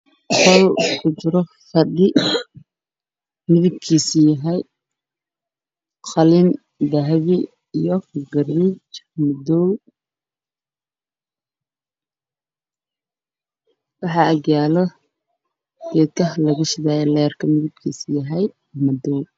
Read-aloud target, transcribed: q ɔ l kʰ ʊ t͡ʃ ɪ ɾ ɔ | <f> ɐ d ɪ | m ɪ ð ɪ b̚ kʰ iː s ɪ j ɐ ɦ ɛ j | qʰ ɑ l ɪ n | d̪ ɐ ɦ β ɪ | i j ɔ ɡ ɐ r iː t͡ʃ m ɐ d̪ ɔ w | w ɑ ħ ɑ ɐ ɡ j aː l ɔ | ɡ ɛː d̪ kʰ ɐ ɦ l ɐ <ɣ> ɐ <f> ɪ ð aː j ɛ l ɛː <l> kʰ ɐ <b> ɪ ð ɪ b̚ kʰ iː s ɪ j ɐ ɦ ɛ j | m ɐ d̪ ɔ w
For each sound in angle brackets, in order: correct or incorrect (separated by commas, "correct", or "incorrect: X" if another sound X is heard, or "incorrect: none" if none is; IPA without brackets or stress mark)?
correct, correct, incorrect: ʃ, incorrect: r, incorrect: m